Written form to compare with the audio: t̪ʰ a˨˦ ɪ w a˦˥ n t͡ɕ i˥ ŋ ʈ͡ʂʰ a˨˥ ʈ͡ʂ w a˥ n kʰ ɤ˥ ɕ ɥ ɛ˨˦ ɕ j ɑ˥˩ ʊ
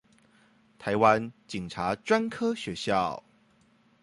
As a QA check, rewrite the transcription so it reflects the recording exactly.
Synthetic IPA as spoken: t̪ʰ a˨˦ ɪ w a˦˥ n t͡ɕ i˨˩ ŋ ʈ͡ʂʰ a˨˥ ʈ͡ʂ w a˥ n kʰ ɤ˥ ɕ ɥ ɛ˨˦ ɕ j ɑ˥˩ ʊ

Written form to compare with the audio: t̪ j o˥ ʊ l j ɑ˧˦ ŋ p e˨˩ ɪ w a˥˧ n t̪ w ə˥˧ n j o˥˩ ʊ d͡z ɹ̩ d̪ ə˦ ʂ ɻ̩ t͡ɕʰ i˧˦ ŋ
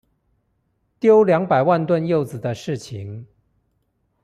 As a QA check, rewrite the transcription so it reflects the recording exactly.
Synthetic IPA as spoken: t̪ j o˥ ʊ l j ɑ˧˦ ŋ p a˨˩ ɪ w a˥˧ n t̪ w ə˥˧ n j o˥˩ ʊ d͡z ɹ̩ d̪ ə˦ ʂ ɻ̩ t͡ɕʰ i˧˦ ŋ

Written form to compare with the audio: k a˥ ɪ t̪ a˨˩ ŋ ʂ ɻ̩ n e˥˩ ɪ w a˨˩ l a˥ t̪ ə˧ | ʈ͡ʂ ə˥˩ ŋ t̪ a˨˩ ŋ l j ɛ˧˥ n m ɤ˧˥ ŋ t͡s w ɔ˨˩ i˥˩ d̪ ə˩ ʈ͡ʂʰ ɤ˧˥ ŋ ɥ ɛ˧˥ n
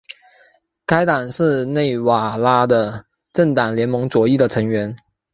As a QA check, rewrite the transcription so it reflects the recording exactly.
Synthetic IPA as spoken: k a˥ ɪ t̪ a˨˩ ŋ ʂ ɻ̩ n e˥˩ ɪ w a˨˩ l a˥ d̪ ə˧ | ʈ͡ʂ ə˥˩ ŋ t̪ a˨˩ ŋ l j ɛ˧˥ n m ɤ˧˥ ŋ t͡s w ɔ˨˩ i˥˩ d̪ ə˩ ʈ͡ʂʰ ɤ˧˥ ŋ ɥ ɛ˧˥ n

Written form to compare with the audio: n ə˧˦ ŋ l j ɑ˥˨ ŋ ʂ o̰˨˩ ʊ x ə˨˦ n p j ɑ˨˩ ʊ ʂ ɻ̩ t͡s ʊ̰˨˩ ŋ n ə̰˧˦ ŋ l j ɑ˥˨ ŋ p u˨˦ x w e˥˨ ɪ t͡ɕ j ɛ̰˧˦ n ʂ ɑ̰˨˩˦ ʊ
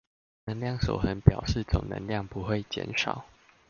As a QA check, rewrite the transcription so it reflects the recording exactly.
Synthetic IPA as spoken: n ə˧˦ ŋ l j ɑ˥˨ ŋ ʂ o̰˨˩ ʊ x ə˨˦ n p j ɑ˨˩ ʊ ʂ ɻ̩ t͡s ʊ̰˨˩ ŋ n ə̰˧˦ ŋ l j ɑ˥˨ ŋ p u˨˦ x w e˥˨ ɪ t͡ɕ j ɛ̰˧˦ n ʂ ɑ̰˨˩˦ ʊ

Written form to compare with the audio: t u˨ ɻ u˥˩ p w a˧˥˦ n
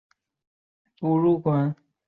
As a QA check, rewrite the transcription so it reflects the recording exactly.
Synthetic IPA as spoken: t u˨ ɻ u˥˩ k w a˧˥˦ n

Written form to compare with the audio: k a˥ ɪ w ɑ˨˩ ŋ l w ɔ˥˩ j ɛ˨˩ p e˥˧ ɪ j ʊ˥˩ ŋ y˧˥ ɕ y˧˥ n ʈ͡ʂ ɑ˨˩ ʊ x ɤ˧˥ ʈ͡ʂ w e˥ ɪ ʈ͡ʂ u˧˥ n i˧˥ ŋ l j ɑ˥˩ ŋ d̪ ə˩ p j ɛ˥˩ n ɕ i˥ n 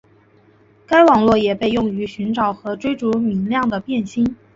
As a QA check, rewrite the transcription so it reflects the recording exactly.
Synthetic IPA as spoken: k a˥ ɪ w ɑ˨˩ ŋ l w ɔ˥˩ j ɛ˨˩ p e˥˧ ɪ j ʊ˥˩ ŋ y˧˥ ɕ y˧˥ n ʈ͡ʂ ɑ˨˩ ʊ x ɤ˧˥ ʈ͡ʂ w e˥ ɪ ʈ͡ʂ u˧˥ m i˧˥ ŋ l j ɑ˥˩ ŋ d̪ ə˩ p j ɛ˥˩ n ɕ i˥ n

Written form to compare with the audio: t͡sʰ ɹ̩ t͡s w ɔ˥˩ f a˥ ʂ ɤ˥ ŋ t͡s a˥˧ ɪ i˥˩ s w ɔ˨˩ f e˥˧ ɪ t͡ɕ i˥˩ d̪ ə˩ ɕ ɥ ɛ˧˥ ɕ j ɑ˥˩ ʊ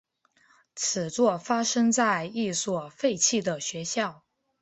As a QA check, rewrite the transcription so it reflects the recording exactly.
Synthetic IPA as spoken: t͡sʰ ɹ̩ t͡s w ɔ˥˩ f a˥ ʂ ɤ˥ ŋ t͡s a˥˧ ɪ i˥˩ s w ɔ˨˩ f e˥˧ ɪ t͡ɕʰ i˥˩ d̪ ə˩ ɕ ɥ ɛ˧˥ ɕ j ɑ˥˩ ʊ

